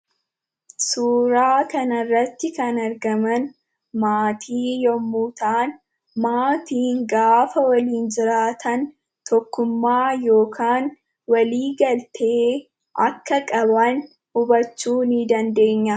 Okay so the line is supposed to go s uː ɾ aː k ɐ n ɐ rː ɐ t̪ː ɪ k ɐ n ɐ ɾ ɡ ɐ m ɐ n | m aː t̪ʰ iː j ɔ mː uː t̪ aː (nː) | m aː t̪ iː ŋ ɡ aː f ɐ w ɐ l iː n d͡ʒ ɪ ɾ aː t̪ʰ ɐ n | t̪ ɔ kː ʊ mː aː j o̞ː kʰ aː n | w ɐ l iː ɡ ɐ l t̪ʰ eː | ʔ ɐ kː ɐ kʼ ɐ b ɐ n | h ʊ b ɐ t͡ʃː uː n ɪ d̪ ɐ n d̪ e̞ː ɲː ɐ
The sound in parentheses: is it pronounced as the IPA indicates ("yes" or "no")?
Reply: no